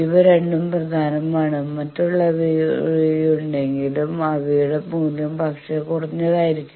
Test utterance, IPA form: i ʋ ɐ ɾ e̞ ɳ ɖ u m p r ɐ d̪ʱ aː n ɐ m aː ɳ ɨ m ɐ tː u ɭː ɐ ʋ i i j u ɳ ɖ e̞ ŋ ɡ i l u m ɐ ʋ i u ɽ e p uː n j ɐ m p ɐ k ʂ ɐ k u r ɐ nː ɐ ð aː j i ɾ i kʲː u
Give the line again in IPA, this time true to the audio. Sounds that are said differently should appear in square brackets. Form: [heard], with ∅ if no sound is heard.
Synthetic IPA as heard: i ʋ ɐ ɾ e̞ ɳ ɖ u m p r ɐ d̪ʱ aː n ɐ m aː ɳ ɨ m ɐ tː u ɭː ɐ ʋ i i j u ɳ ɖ e̞ ŋ ɡ i l u m ɐ ʋ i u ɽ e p uː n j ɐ m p ɐ k ʂ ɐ k u r ɐ [ɲː] ɐ ð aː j i ɾ i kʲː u